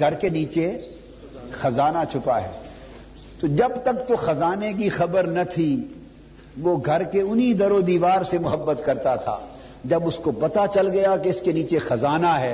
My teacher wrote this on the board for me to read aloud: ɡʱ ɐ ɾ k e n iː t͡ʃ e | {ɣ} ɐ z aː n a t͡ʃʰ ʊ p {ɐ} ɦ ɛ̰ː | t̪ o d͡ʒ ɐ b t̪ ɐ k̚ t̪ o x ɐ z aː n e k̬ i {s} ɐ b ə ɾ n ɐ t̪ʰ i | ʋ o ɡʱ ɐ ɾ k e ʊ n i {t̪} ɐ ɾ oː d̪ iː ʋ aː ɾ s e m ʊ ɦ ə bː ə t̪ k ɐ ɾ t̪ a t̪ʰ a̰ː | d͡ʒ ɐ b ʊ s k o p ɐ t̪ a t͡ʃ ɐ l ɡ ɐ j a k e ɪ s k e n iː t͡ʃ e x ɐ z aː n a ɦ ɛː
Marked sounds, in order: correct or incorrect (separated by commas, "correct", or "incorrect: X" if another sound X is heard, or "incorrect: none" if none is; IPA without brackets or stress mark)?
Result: incorrect: x, incorrect: a, incorrect: x, incorrect: d̪